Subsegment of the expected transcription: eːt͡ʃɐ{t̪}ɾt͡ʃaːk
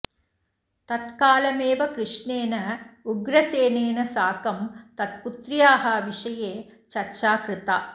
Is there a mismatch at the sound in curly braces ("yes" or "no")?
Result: yes